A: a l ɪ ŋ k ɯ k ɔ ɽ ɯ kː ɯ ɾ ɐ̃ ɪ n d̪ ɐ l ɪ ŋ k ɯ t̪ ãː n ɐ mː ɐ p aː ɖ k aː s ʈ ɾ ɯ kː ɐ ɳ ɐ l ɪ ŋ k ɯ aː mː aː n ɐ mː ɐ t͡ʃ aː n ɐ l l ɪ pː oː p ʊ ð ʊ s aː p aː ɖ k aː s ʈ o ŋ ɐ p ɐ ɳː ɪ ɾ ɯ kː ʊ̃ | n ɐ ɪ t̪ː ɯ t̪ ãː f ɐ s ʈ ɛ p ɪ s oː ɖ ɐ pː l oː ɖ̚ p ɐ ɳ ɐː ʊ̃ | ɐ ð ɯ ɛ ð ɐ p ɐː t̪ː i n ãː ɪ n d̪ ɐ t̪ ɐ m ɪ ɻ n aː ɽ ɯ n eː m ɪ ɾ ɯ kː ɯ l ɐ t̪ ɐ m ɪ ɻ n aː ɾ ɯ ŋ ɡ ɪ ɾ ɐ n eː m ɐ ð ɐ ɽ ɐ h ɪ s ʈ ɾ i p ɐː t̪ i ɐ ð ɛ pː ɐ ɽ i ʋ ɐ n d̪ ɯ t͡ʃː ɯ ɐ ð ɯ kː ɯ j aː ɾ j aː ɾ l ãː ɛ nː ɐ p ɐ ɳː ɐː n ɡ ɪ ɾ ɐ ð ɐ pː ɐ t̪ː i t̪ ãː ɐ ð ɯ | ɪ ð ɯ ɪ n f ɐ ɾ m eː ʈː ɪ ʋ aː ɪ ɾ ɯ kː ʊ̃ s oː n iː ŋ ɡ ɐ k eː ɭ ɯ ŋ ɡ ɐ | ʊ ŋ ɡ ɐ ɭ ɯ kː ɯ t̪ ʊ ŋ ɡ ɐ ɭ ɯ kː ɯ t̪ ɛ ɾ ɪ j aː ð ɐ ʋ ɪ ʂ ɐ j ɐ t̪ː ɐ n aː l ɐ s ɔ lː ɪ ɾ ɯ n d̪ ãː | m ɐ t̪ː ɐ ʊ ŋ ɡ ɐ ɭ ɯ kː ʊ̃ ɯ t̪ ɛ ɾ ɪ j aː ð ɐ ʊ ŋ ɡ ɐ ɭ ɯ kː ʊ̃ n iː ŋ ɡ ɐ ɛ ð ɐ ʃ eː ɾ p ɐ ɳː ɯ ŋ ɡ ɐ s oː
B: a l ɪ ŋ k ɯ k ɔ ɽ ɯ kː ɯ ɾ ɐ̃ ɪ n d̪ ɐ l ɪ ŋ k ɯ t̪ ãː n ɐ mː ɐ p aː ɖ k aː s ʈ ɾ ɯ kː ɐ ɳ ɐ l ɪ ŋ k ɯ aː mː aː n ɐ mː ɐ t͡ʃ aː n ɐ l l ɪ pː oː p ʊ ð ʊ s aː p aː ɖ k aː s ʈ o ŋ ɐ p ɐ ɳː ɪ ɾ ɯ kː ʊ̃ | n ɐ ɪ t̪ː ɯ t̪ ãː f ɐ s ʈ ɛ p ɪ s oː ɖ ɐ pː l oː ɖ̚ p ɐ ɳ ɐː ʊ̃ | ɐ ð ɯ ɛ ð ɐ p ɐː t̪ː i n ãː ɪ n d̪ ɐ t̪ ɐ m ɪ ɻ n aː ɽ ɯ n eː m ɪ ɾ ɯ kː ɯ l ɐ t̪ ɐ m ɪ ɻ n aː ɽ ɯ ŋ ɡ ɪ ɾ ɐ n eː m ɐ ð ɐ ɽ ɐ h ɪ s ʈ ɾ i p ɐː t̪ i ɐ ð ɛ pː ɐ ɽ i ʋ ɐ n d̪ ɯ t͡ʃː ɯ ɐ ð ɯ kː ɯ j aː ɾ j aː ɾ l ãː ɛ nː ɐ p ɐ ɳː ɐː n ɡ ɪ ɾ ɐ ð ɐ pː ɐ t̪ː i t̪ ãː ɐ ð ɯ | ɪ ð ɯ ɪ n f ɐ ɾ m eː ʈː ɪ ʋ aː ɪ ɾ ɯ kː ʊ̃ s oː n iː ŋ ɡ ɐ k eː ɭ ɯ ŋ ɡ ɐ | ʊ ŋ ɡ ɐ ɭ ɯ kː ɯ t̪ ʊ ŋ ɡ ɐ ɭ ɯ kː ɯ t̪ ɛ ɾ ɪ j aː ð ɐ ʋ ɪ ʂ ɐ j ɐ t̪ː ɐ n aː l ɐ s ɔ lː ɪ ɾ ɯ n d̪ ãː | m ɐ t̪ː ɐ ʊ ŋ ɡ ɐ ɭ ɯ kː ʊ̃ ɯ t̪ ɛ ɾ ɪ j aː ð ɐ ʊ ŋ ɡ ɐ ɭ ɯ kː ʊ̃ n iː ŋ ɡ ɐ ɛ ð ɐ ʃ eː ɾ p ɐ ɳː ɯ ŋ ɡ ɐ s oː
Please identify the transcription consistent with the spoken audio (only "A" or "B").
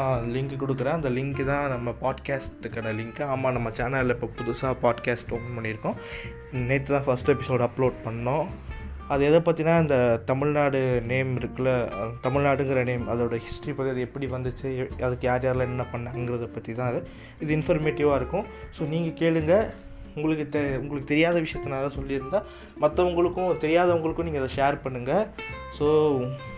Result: B